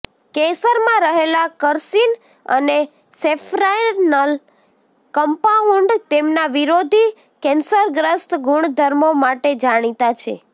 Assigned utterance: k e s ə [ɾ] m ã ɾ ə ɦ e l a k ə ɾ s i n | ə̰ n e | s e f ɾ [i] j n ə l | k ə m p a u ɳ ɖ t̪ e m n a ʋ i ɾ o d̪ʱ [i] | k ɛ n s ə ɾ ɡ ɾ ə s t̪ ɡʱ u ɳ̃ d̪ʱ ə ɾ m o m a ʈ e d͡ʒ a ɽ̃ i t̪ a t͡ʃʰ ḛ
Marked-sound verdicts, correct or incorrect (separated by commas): correct, incorrect, correct